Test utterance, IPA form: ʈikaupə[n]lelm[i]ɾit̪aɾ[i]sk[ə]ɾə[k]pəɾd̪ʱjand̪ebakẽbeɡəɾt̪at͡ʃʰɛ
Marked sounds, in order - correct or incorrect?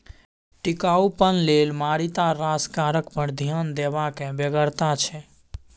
correct, incorrect: a, incorrect: a, incorrect: a, correct

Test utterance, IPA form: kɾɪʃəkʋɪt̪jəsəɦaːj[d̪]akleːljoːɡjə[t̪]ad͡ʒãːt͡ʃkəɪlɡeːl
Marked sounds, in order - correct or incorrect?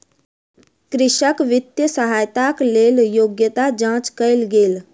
incorrect: t̪, correct

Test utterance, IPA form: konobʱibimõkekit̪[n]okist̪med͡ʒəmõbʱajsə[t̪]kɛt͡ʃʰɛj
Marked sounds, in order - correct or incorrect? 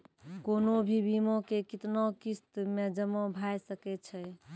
correct, incorrect: none

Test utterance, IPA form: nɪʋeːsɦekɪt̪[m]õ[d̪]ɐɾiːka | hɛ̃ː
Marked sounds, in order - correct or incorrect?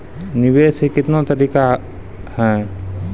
incorrect: n, incorrect: t̪

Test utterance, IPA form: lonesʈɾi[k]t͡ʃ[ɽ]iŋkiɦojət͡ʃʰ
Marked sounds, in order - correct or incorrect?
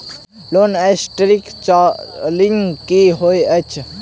correct, incorrect: l

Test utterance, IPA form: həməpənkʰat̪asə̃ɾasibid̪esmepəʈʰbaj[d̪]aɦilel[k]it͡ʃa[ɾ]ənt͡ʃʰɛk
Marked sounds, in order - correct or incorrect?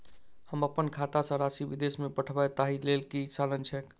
incorrect: t̪, correct, incorrect: l

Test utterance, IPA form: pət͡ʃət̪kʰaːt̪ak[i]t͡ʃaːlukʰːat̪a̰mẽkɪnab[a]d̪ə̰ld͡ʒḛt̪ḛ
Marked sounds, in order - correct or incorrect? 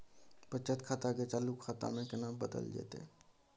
incorrect: e, incorrect: ə

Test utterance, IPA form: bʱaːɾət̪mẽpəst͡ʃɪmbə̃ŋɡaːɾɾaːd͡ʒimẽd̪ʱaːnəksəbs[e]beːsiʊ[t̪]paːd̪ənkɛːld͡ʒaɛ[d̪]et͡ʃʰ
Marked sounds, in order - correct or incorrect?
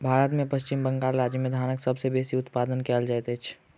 correct, correct, incorrect: t̪

